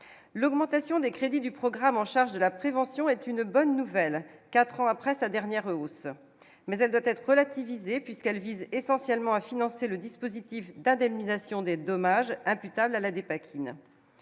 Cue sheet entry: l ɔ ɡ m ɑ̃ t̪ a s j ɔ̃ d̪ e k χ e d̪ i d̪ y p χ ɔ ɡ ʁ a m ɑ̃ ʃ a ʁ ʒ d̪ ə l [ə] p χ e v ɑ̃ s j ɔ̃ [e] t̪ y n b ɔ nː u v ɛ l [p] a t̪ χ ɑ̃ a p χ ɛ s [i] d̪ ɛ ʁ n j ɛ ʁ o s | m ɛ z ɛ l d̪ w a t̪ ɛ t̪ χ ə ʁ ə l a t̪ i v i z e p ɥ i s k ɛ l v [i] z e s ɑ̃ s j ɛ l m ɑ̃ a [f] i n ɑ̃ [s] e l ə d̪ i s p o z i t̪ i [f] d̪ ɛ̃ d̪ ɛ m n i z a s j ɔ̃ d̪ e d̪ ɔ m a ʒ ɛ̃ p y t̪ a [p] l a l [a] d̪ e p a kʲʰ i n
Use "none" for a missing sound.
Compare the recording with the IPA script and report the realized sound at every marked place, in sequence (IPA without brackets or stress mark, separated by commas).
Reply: a, ɛ, k, a, i, f, s, f, b, a